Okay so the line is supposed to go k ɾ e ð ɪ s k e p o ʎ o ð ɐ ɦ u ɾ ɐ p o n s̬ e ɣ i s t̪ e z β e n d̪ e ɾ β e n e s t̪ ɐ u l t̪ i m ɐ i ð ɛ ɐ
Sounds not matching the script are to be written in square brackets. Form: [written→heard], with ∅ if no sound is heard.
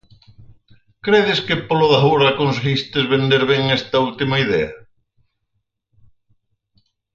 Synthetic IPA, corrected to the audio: k ɾ e ð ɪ s k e p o [ʎ→l] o ð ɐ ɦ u ɾ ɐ [p→k] o n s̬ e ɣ i s t̪ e z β e n d̪ e ɾ β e [n→ŋ] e s t̪ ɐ u l t̪ i m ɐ i ð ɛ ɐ